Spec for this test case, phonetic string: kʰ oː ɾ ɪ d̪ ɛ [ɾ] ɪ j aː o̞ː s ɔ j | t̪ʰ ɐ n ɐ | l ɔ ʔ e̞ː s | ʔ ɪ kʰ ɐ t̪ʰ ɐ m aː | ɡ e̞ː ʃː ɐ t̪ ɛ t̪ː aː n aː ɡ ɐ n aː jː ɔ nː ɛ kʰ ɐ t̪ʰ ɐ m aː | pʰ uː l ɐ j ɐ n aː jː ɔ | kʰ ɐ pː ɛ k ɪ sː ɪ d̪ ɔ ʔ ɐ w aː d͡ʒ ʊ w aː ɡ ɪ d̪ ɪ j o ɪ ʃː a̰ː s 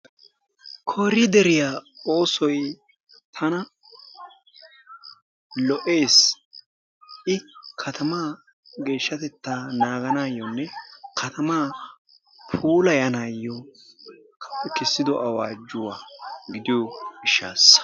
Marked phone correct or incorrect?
correct